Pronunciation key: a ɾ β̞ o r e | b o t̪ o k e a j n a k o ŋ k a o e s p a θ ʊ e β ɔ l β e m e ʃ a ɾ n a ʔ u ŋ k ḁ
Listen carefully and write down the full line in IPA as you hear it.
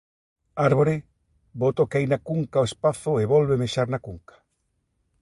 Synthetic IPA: a ɾ β̞ o ɾ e | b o t̪ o k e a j n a k u ŋ k a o e s p a θ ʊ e β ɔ l β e m e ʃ a ɾ n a k u ŋ k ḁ